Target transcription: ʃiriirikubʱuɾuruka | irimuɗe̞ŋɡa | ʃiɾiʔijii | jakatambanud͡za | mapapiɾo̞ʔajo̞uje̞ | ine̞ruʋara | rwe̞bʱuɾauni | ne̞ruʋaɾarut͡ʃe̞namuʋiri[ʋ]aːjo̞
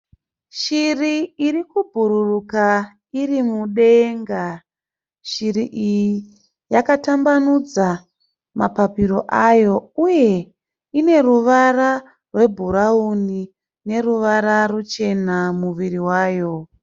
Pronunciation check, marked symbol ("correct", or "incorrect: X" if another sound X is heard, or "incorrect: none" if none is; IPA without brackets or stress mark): incorrect: w